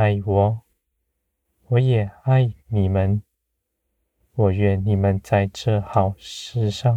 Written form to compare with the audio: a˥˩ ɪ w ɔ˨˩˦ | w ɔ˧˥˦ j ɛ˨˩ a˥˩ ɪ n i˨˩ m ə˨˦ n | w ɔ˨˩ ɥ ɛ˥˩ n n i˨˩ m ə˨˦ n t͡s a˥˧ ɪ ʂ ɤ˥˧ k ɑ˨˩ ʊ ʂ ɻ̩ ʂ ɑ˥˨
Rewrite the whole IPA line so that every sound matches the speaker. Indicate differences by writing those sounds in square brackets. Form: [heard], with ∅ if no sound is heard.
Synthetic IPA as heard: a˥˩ ɪ w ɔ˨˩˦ | w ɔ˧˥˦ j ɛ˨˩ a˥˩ ɪ n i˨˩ m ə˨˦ n | w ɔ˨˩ ɥ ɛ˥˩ n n i˨˩ m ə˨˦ n t͡s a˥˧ ɪ [ʈ͡ʂ] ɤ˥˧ [x] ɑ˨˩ ʊ ʂ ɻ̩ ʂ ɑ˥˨